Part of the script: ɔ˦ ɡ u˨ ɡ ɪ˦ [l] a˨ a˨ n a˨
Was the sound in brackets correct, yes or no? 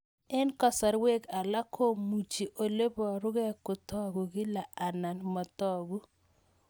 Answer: yes